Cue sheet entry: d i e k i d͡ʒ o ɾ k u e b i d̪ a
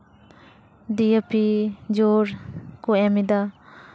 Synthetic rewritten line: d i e p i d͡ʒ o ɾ k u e m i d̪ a